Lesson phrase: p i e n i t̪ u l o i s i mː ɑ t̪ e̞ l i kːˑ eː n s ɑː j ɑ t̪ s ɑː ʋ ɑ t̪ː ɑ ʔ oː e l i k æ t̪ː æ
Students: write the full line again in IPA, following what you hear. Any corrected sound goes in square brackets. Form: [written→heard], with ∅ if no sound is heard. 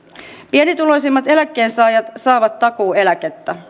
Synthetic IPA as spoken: p i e n i t̪ u l o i s i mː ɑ t̪ e̞ l [i→æ] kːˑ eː n s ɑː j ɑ t̪ s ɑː ʋ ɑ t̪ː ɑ [ʔ→k] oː e l [i→æ] k [æ→e] t̪ː æ